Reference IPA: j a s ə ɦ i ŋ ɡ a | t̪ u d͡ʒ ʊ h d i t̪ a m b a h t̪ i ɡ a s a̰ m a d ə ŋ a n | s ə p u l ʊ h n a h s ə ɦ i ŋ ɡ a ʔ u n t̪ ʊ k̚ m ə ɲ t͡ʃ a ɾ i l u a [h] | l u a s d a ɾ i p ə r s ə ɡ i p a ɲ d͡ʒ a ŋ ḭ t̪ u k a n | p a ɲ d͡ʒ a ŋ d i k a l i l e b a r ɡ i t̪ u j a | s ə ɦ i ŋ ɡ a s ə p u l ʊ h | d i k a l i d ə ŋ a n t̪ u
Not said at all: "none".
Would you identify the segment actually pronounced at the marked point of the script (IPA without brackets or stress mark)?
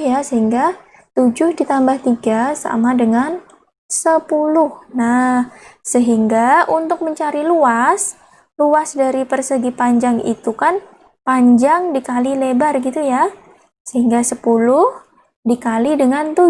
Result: s